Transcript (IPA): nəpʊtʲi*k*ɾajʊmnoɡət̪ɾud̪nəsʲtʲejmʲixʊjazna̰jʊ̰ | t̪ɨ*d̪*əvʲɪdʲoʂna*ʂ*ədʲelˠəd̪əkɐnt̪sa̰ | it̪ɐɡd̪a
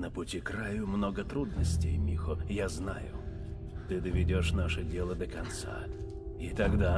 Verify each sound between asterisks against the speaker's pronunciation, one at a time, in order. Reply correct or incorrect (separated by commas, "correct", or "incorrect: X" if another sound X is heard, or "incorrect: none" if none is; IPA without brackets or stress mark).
correct, correct, correct